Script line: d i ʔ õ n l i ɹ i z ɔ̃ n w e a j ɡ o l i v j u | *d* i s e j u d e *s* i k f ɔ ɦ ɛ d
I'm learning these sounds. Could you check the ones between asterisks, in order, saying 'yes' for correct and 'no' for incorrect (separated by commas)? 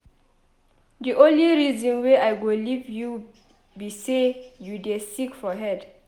no, yes